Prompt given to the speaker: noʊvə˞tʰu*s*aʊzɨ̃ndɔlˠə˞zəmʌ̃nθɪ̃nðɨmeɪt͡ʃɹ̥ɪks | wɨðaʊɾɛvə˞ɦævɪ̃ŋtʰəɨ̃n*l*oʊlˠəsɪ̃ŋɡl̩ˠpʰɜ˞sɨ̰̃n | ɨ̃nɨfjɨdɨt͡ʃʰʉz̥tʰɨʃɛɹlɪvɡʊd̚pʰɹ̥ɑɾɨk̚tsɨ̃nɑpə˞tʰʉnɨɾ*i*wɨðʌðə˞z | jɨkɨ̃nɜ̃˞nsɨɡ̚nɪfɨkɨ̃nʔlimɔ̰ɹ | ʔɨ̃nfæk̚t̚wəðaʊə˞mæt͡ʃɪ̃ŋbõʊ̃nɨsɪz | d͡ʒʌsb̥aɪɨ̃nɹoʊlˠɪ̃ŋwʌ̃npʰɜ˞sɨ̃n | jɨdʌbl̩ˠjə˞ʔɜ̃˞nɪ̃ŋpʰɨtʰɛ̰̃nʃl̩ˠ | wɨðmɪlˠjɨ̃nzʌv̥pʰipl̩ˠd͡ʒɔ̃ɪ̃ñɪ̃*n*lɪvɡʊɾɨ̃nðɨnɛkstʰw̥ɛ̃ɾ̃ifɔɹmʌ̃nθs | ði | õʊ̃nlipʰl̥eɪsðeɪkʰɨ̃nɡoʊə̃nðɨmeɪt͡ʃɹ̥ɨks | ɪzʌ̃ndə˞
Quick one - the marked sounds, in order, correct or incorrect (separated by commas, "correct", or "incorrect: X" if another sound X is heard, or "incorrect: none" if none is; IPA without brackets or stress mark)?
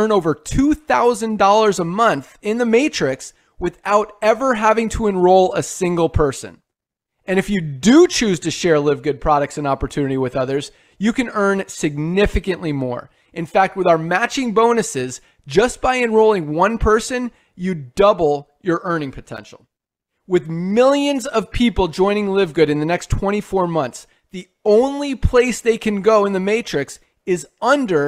incorrect: θ, incorrect: ɹ, correct, incorrect: ŋ